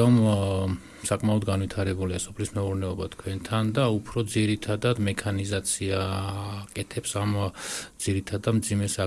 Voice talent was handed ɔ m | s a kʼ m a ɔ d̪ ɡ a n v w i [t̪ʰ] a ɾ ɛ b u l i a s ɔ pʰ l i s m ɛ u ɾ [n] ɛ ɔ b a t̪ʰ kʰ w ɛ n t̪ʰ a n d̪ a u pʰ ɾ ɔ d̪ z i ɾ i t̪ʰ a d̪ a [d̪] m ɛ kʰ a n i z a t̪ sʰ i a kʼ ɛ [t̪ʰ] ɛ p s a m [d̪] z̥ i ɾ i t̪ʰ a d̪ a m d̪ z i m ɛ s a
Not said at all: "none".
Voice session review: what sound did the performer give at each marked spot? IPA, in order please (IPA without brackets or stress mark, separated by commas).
t̪ʰ, n, d̪, t̪ʰ, d̪